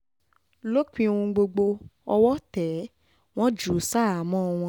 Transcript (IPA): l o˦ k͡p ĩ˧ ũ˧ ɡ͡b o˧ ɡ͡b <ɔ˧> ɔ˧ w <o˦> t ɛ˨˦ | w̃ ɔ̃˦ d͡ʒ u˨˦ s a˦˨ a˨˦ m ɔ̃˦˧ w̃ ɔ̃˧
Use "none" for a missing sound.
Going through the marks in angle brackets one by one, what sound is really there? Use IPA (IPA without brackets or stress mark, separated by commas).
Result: o˧, ɔ˦